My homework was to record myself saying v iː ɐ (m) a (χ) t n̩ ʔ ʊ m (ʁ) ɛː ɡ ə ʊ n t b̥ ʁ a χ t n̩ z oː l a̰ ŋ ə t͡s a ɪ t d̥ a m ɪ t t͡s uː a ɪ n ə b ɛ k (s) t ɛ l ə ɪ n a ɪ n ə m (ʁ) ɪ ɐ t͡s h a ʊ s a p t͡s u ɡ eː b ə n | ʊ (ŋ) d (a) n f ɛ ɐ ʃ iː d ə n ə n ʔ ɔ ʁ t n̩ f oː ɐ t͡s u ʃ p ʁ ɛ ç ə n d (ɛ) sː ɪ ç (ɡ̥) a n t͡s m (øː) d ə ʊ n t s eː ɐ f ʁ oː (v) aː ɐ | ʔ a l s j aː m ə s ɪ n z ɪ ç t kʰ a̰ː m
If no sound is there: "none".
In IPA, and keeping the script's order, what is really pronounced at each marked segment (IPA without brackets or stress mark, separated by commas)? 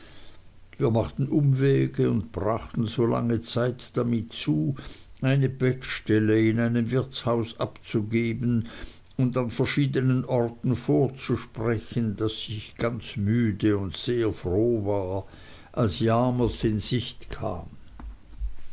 m, χ, v, ʃ, v, n, a, a, ɡ̥, yː, v